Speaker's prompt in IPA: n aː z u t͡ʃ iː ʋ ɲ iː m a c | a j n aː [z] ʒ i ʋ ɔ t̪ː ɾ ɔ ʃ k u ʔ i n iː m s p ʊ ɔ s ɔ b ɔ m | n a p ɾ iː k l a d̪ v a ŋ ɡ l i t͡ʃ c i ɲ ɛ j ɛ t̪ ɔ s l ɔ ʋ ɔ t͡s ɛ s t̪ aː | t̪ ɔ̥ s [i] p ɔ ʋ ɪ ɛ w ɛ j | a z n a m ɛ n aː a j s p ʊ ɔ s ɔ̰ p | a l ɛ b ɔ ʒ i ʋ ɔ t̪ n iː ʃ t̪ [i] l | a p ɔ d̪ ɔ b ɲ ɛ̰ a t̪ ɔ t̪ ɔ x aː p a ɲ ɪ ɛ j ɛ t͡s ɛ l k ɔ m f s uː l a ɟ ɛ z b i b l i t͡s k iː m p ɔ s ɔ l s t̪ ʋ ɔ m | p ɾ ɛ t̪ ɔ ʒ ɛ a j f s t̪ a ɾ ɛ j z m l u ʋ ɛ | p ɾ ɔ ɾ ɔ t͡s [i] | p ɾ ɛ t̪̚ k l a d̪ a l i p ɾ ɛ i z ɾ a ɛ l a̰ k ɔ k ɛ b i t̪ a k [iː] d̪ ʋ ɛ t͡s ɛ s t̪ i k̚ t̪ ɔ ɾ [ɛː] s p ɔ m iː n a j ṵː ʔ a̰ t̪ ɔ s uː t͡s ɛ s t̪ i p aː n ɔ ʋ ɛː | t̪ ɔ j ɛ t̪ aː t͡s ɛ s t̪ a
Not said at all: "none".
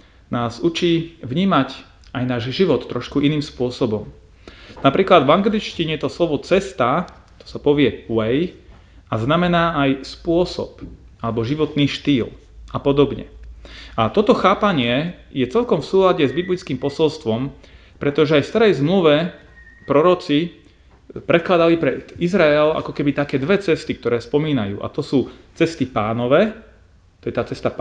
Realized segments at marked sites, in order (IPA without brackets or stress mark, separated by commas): ʒ, a, iː, i, ɛː, ɛː